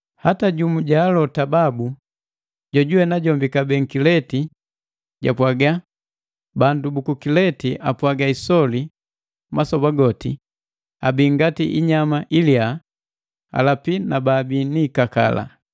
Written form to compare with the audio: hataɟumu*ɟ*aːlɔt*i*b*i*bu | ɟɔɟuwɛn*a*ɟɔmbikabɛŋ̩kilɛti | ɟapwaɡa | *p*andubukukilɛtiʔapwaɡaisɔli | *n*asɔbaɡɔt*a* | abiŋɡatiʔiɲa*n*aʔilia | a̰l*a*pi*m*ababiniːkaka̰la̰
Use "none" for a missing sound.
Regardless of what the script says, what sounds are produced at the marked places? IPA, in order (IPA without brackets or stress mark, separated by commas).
ɟ, a, a, a, b, m, i, m, a, n